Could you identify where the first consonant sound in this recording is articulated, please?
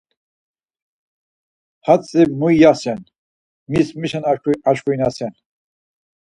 glottal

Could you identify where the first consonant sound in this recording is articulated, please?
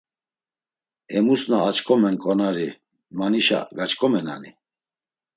labial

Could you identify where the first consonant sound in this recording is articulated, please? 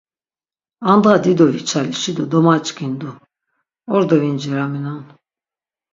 alveolar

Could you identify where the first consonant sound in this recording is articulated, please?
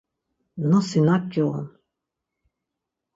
alveolar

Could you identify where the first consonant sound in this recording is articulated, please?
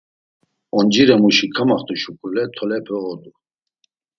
alveolar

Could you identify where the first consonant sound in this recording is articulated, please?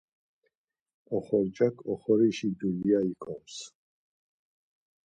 uvular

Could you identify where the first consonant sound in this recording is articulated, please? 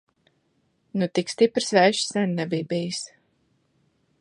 alveolar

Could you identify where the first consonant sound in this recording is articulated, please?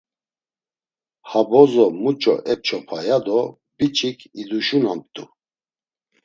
glottal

